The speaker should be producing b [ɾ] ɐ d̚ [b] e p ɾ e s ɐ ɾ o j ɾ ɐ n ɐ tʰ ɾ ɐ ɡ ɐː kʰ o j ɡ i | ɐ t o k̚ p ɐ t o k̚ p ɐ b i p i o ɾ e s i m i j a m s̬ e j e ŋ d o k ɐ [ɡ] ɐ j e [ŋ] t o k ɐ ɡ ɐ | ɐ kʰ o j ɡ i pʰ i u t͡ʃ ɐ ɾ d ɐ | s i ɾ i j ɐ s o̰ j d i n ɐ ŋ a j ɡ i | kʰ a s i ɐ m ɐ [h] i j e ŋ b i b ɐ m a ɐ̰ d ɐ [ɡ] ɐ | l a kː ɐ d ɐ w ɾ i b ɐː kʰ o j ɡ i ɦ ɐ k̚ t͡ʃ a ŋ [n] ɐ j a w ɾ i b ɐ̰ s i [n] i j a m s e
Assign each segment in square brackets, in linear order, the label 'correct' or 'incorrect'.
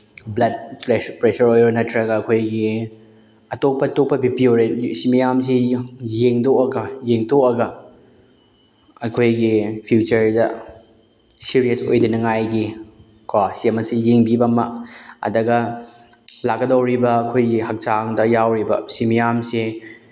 incorrect: l, incorrect: p, correct, correct, incorrect: s, correct, incorrect: d, incorrect: m

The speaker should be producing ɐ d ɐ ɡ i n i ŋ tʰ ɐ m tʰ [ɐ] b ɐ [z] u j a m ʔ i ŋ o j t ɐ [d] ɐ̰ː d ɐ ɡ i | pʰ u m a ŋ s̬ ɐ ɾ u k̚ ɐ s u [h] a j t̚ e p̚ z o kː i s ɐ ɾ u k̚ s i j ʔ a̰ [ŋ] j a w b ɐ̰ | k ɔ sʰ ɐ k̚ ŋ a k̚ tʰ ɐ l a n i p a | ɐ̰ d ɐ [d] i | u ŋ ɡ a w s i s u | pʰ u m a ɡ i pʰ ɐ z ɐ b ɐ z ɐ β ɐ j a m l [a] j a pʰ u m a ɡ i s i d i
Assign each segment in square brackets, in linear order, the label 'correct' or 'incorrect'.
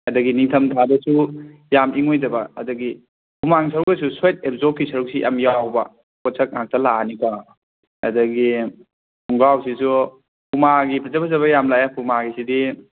incorrect: a, incorrect: s, incorrect: b, incorrect: s, incorrect: m, incorrect: ɡ, correct

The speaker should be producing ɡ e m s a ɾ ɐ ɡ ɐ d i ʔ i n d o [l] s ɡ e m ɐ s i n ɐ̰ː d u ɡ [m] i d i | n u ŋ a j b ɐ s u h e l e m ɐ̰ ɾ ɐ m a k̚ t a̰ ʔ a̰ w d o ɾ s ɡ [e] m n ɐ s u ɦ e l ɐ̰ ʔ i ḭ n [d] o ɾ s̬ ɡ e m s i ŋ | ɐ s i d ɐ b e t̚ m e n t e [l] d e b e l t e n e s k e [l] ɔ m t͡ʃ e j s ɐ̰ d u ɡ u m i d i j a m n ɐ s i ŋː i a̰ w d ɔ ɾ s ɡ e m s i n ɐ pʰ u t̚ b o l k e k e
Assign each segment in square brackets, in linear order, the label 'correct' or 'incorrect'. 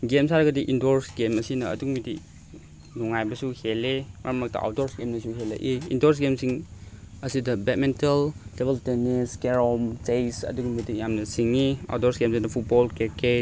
incorrect: ɾ, correct, correct, correct, correct, incorrect: ɾ

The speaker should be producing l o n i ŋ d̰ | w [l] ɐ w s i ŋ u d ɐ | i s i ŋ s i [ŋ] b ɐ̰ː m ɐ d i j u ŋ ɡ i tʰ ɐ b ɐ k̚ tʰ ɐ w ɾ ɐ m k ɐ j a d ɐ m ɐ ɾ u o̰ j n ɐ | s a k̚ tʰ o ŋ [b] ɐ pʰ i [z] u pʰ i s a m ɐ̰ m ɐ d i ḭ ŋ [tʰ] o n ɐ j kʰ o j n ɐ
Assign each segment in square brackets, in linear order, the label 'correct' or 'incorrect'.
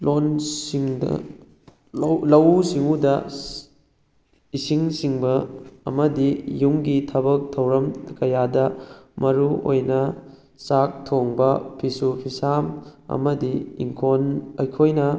correct, correct, correct, incorrect: s, incorrect: kʰ

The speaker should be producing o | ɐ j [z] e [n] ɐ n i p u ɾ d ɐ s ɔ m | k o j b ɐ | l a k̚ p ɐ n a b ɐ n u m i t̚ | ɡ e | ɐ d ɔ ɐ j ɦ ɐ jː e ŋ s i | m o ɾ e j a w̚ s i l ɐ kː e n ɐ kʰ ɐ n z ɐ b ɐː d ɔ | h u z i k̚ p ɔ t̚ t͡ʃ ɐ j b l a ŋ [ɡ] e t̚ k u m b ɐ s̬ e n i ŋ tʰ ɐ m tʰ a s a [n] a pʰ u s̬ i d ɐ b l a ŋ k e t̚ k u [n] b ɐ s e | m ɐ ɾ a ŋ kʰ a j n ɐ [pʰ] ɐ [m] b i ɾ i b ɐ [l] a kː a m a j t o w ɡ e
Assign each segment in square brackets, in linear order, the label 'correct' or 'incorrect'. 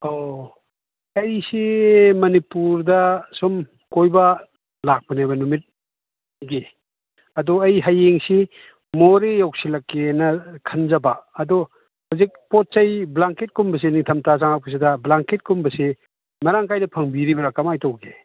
incorrect: s, incorrect: m, incorrect: k, incorrect: ŋ, incorrect: m, correct, incorrect: ŋ, incorrect: ɾ

